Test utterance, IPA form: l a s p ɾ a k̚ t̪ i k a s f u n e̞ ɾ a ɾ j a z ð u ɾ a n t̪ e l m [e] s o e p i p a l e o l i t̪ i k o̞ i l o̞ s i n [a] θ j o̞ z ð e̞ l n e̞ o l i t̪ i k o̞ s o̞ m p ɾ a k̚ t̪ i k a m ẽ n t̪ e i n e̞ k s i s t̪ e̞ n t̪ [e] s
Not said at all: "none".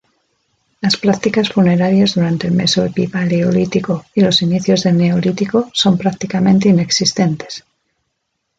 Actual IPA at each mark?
e, i, e

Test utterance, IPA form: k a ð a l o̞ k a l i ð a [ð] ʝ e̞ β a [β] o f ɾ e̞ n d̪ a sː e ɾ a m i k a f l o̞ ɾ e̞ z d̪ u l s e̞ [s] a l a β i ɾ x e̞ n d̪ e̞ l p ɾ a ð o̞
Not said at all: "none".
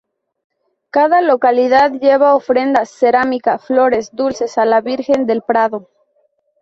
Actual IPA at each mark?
ð, none, s

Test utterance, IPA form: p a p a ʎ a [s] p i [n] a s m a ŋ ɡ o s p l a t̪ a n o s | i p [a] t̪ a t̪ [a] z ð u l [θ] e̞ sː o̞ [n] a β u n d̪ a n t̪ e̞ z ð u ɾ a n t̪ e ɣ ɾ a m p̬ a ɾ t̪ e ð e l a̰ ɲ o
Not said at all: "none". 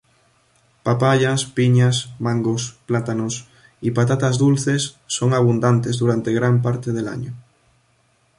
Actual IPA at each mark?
s, ɲ, a, a, θ, ŋ

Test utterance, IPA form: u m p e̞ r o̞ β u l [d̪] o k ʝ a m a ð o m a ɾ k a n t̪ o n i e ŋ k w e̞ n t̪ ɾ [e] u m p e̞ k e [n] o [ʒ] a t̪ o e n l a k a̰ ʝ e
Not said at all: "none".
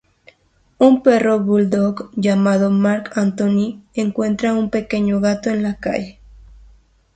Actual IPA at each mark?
d̪, a, ɲ, ɣ

